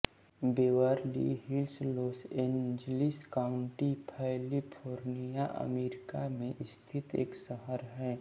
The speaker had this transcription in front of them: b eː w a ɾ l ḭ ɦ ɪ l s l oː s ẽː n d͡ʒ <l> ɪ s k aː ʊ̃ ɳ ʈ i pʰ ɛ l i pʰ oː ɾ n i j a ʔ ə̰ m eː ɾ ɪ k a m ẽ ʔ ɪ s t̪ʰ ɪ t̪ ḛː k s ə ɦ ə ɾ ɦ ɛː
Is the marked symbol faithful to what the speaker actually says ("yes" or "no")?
yes